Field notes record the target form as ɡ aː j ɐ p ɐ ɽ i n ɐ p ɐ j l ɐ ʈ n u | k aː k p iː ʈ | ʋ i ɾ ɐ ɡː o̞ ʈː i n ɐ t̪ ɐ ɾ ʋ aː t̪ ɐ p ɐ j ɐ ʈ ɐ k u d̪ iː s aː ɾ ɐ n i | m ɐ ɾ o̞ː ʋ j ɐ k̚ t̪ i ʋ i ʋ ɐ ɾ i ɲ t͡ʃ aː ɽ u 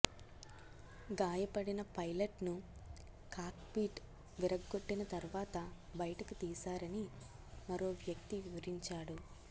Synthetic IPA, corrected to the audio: ɡ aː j ɐ p ɐ ɽ i n ɐ p ɐ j l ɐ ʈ n u | k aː k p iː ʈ | ʋ i ɾ ɐ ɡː o̞ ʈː i n ɐ t̪ ɐ ɾ ʋ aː t̪ ɐ b ɐ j ɐ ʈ ɐ k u t̪ iː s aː ɾ ɐ n i | m ɐ ɾ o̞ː ʋ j ɐ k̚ t̪ i ʋ i ʋ ɐ ɾ i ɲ t͡ʃ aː ɽ u